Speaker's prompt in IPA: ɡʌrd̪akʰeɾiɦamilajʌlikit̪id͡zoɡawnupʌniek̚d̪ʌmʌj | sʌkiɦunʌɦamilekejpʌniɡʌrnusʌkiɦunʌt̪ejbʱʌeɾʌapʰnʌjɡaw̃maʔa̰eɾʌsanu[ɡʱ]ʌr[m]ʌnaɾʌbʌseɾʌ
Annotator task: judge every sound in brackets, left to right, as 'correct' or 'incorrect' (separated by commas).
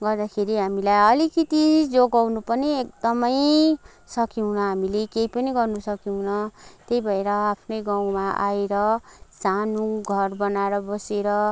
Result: correct, incorrect